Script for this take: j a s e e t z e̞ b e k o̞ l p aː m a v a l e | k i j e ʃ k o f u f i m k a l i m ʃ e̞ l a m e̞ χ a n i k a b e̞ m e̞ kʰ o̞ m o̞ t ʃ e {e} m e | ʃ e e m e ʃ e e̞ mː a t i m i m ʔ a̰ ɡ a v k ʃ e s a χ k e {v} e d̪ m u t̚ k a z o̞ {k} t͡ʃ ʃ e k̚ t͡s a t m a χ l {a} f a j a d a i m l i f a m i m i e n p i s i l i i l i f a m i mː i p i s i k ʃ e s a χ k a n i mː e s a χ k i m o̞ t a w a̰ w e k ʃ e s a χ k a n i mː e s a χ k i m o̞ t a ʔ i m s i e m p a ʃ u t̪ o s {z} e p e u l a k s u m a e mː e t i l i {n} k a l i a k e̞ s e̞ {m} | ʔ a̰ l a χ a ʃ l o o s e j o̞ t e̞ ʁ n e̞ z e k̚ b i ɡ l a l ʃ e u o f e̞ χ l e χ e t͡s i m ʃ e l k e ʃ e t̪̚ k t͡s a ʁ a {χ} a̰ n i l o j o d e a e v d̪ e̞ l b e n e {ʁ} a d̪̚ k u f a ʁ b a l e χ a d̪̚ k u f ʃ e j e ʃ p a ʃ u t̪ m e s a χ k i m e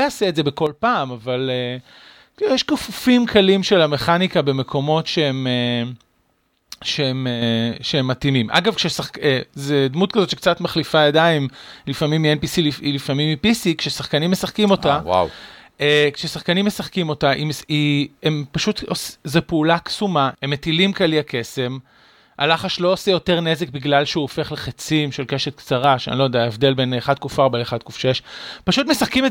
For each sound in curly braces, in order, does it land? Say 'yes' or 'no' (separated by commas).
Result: yes, no, no, no, yes, no, yes, no, no